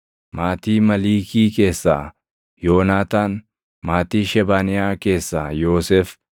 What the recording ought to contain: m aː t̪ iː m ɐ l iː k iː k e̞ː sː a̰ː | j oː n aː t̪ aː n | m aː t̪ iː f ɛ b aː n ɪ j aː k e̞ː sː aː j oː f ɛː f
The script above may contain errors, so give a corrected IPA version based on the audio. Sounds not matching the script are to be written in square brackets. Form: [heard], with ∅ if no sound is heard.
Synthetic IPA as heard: m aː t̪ iː m ɐ l iː k iː k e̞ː sː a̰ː | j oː n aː t̪ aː n | m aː t̪ iː [ʃ] ɛ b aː n ɪ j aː k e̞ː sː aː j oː [s] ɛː f

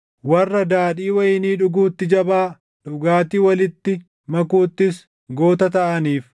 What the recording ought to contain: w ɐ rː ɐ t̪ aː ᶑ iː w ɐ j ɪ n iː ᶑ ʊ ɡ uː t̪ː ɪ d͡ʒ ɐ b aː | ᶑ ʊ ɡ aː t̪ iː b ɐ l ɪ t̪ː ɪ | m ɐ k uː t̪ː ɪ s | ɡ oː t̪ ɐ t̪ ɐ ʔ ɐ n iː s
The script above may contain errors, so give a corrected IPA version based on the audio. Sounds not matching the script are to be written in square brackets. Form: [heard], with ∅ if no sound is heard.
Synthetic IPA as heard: w ɐ rː ɐ [d̪] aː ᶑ iː w ɐ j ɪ n iː ᶑ ʊ ɡ uː t̪ː ɪ d͡ʒ ɐ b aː | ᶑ ʊ ɡ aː t̪ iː [w] ɐ l ɪ t̪ː ɪ | m ɐ k uː t̪ː ɪ s | ɡ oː t̪ ɐ t̪ ɐ ʔ ɐ n iː [f]

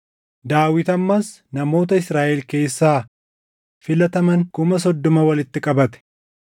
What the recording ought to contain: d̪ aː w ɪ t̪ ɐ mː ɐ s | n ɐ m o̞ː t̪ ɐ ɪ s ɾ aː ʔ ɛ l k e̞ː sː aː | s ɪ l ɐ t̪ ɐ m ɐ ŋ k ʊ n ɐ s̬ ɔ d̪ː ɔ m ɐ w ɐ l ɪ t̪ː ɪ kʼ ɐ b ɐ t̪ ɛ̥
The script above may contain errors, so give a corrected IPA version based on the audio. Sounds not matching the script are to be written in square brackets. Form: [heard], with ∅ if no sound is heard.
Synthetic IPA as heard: d̪ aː w ɪ t̪ ɐ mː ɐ s | n ɐ m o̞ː t̪ ɐ ɪ s ɾ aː ʔ ɛ l k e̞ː sː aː | [f] ɪ l ɐ t̪ ɐ m ɐ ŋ k ʊ [m] ɐ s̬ ɔ d̪ː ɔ m ɐ w ɐ l ɪ t̪ː ɪ kʼ ɐ b ɐ t̪ ɛ̥

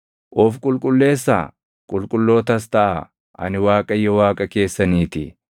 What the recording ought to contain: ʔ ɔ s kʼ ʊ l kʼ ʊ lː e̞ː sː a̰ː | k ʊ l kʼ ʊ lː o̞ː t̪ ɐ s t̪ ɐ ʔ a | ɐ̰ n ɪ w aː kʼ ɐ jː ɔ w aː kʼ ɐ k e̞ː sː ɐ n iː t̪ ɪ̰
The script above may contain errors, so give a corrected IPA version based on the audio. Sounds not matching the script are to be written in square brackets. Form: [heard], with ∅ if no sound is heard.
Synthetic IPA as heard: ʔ ɔ [f] kʼ ʊ l kʼ ʊ lː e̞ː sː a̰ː | [kʼ] ʊ l kʼ ʊ lː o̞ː t̪ ɐ s t̪ ɐ ʔ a | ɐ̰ n ɪ w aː kʼ ɐ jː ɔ w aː kʼ ɐ k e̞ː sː ɐ n iː t̪ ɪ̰

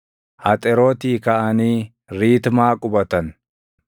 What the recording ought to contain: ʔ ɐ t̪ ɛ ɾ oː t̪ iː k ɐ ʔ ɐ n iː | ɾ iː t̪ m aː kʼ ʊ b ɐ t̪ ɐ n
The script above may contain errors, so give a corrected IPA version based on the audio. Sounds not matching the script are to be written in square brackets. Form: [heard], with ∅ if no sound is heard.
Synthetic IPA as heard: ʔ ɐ [t̪ʼ] ɛ ɾ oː t̪ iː k ɐ ʔ ɐ n iː | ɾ iː t̪ m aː kʼ ʊ b ɐ t̪ ɐ n

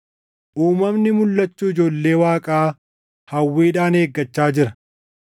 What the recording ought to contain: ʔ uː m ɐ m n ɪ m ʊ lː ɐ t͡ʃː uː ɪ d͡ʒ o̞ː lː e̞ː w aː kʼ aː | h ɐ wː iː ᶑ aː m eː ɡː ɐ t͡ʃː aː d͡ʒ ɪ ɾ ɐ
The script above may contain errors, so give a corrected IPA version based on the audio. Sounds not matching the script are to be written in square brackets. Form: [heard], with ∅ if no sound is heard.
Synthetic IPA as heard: ʔ uː m ɐ m n ɪ m ʊ lː ɐ t͡ʃː uː ɪ d͡ʒ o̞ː lː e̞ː w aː kʼ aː | h ɐ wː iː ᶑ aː [n] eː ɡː ɐ t͡ʃː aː d͡ʒ ɪ ɾ ɐ

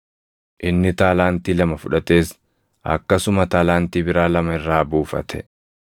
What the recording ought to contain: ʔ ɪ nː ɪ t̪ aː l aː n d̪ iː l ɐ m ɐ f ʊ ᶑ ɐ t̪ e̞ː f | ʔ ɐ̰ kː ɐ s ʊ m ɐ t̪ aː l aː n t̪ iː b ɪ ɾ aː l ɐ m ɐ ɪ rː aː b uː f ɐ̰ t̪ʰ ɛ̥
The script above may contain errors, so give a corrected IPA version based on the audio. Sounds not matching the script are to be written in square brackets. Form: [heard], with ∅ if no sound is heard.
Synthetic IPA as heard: ʔ ɪ nː ɪ t̪ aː l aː n [t̪] iː l ɐ m ɐ f ʊ ᶑ ɐ t̪ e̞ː [s] | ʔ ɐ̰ kː ɐ s ʊ m ɐ t̪ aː l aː n t̪ iː b ɪ ɾ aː l ɐ m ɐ ɪ rː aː b uː f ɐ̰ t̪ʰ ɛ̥

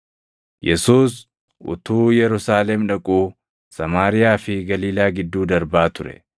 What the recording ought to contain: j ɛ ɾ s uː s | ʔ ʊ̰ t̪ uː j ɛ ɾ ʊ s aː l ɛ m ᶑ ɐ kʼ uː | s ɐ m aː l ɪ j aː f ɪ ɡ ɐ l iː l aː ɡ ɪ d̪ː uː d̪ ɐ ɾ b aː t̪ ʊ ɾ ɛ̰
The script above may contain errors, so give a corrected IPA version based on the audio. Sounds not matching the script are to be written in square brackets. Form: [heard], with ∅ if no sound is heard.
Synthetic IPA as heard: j ɛ [∅] s uː s | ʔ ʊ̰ t̪ uː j ɛ ɾ ʊ s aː l ɛ m ᶑ ɐ kʼ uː | s ɐ m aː [ɾ] ɪ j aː f ɪ ɡ ɐ l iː l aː ɡ ɪ d̪ː uː d̪ ɐ ɾ b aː t̪ ʊ ɾ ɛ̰

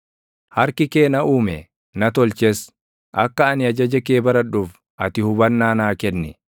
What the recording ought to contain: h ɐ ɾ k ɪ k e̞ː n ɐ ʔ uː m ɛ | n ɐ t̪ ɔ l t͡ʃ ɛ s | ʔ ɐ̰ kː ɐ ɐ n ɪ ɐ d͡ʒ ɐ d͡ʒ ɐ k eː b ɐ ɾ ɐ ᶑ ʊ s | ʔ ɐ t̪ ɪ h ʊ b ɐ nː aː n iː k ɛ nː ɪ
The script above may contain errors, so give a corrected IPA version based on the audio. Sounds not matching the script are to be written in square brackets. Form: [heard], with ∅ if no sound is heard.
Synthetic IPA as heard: h ɐ ɾ k ɪ k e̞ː n ɐ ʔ uː m ɛ | n ɐ t̪ ɔ l t͡ʃ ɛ s | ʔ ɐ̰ kː ɐ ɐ n ɪ ɐ d͡ʒ ɐ d͡ʒ ɐ k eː b ɐ ɾ ɐ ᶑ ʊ [f] | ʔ ɐ t̪ ɪ h ʊ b ɐ nː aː n [aː] k ɛ nː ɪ

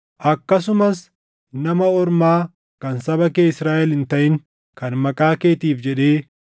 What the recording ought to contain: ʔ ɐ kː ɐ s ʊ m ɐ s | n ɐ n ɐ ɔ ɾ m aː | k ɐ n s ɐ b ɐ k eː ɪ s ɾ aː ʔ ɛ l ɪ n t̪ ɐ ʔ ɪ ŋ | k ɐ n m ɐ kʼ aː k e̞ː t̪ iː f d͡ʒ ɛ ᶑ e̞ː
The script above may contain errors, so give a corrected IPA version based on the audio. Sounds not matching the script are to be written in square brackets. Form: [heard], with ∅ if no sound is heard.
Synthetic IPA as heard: ʔ ɐ kː ɐ s ʊ m ɐ s | n ɐ [m] ɐ ɔ ɾ m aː | k ɐ n s ɐ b ɐ k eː ɪ s ɾ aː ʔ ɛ l ɪ n t̪ ɐ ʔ ɪ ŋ | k ɐ n m ɐ kʼ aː k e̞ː t̪ iː f d͡ʒ ɛ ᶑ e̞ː

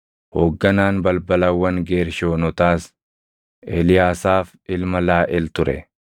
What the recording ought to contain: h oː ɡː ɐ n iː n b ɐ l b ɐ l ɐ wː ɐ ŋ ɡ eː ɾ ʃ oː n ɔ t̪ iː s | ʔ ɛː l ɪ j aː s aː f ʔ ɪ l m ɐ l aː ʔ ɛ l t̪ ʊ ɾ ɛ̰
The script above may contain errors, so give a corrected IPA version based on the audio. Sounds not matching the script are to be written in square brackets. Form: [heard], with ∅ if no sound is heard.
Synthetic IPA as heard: h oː ɡː ɐ n [aː] n b ɐ l b ɐ l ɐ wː ɐ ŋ ɡ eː ɾ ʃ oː n ɔ t̪ [aː] s | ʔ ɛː l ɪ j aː s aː f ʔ ɪ l m ɐ l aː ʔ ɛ l t̪ ʊ ɾ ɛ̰

